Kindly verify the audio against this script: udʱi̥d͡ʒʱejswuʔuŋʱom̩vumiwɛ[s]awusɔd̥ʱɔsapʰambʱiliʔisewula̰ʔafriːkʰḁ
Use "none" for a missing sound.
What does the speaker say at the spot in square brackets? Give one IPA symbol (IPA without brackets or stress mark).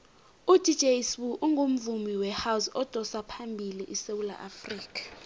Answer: h